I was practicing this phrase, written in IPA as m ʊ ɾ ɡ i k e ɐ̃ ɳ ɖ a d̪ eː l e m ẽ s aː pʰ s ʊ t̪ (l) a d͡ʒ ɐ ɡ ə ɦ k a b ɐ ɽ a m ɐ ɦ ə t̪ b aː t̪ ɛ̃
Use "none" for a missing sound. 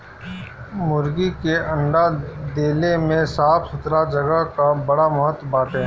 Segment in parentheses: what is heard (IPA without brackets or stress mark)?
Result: ɾ